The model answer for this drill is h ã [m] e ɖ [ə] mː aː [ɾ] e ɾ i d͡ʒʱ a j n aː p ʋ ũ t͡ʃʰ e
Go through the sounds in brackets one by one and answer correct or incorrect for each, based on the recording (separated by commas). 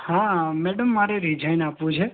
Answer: correct, correct, correct